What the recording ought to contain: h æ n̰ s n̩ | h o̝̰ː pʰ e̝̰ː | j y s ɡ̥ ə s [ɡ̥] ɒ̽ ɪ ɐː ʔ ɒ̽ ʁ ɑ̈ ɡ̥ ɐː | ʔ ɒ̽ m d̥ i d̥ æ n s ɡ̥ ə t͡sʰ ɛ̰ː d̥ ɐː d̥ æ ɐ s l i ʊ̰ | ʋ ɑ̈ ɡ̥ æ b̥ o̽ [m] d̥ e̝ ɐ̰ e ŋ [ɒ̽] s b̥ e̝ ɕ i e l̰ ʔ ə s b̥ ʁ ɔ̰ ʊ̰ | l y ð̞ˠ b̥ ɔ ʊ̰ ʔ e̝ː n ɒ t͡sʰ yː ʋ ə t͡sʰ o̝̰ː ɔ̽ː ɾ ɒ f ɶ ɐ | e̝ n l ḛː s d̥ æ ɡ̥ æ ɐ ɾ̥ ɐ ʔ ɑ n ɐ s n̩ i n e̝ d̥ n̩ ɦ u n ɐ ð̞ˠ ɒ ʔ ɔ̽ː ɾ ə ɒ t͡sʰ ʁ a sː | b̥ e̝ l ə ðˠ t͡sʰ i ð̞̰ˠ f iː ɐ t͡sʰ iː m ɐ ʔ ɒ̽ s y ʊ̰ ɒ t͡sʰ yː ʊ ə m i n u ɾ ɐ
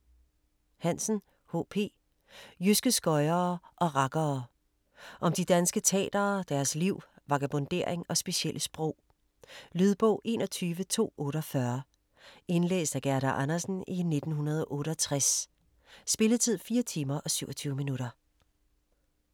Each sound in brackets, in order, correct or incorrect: correct, incorrect, correct

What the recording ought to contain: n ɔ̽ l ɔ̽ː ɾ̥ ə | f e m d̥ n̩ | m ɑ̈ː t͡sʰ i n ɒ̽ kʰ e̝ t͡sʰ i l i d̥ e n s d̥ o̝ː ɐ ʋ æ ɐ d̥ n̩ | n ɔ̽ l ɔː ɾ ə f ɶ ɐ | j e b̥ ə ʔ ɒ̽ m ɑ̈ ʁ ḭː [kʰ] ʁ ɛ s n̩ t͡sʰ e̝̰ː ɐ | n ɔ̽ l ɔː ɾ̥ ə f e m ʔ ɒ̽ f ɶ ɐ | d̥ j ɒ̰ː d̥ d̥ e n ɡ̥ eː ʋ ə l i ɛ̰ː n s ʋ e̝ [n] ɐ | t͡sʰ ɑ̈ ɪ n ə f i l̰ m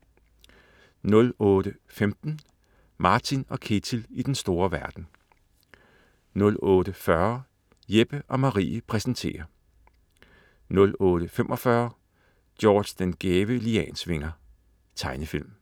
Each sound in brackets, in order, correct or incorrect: incorrect, incorrect

